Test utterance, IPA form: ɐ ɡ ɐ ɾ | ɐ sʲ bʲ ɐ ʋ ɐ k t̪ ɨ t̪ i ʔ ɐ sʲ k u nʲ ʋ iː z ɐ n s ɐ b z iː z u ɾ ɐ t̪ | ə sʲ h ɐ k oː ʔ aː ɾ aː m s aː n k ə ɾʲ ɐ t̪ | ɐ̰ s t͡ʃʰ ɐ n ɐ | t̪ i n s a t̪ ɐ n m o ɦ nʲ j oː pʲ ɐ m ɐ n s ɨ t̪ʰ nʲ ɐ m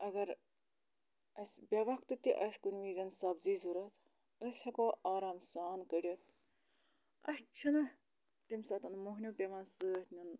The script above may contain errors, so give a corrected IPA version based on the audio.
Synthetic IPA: ɐ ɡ ɐ ɾ | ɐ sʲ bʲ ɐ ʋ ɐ k t̪ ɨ t̪ i ʔ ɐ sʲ k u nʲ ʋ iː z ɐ n s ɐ b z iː z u ɾ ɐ t̪ | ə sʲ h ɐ k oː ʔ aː ɾ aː m s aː n k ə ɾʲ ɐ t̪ | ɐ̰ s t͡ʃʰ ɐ n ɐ | t̪ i m s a t̪ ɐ n m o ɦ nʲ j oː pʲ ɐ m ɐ n s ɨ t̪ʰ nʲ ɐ n